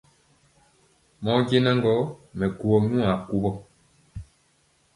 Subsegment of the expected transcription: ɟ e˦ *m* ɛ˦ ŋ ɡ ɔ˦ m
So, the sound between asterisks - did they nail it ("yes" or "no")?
no